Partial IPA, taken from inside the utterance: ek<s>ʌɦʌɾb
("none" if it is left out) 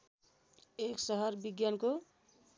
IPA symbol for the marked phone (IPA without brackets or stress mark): s